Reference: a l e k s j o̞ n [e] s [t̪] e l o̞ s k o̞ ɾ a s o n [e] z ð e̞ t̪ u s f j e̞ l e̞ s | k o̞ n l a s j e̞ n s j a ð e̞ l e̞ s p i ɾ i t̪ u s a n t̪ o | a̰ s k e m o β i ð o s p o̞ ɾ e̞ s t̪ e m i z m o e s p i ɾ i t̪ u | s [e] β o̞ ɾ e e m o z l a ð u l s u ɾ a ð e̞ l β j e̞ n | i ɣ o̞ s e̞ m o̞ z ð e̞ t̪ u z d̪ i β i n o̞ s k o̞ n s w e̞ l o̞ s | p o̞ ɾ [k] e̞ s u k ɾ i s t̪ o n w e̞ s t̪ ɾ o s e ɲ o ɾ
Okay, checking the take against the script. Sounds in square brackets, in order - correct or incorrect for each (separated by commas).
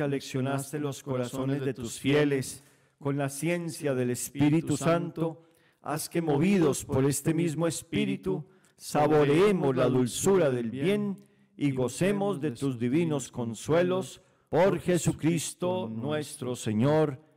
incorrect, correct, correct, incorrect, incorrect